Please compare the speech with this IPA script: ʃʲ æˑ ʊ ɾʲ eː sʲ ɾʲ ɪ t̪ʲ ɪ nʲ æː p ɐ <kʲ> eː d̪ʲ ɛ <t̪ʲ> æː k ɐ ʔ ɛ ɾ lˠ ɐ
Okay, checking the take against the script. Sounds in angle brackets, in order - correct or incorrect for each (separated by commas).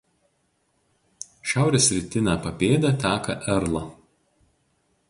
incorrect, correct